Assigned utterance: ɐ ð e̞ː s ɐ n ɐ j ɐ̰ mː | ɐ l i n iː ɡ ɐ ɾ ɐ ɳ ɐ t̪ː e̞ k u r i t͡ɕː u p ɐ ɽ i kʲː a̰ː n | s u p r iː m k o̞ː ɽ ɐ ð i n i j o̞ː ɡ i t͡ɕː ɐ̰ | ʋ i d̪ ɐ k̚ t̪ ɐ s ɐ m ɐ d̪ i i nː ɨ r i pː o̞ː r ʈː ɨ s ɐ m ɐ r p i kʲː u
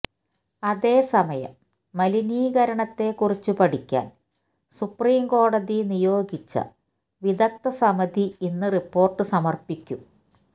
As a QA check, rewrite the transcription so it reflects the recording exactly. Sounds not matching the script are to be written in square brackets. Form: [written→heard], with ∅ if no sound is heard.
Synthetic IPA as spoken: ɐ ð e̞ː s ɐ [n→m] ɐ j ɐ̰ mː | ɐ l i n iː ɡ ɐ ɾ ɐ ɳ ɐ t̪ː e̞ k u r i t͡ɕː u p ɐ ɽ i kʲː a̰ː n | s u p r iː m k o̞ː ɽ ɐ ð i n i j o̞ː ɡ i t͡ɕː ɐ̰ | ʋ i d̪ ɐ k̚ t̪ ɐ s ɐ m ɐ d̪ i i nː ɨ r i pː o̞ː r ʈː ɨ s ɐ m ɐ r p i kʲː u